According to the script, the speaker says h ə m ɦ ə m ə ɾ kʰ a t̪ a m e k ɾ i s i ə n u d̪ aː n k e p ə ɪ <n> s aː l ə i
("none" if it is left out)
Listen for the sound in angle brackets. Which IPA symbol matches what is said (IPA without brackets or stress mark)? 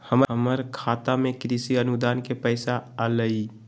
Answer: none